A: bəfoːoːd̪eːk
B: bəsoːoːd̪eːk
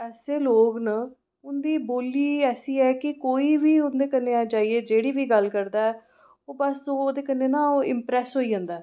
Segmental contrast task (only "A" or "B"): B